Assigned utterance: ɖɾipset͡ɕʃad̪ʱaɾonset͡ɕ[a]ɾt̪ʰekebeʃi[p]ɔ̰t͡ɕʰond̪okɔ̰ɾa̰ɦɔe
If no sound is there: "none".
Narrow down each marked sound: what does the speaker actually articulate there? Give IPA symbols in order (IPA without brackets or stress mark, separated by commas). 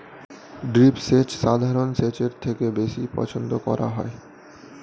e, p